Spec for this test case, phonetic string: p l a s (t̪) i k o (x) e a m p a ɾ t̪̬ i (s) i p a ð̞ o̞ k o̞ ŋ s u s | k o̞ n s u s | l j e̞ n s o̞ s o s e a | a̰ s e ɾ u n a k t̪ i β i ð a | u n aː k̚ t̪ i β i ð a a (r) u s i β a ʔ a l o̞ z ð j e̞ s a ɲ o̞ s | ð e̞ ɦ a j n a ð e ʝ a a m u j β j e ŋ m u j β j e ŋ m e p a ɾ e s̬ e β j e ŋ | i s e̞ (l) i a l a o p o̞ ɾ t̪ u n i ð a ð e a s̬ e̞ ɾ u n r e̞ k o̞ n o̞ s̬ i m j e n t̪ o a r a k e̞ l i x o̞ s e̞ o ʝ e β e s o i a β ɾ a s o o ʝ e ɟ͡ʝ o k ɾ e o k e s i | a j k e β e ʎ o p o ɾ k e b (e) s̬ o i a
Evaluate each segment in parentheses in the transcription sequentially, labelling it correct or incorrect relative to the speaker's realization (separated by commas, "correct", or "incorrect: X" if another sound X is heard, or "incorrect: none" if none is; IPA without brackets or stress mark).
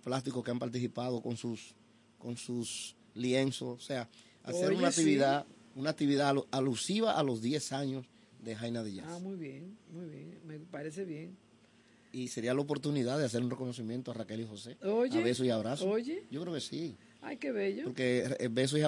correct, incorrect: k, correct, incorrect: l, incorrect: ɾ, correct